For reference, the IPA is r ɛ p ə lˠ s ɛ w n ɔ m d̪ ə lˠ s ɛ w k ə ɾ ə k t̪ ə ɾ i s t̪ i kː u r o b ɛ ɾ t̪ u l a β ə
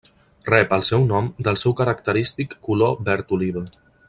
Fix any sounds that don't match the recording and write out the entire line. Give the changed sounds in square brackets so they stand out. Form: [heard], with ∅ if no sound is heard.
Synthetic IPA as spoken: r ɛ p ə lˠ s ɛ w n ɔ m d̪ ə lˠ s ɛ w k ə ɾ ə k t̪ ə ɾ i s t̪ i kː u [l] o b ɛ ɾ t̪ u l [i] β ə